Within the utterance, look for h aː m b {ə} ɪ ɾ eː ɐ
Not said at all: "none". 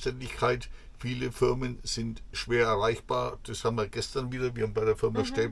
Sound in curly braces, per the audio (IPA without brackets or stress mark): a